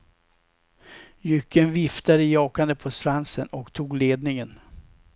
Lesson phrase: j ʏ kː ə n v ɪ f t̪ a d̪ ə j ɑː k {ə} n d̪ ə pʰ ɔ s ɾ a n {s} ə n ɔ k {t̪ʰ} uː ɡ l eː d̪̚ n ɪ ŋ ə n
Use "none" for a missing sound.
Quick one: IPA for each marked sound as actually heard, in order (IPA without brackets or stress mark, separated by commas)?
a, s, t̪ʰ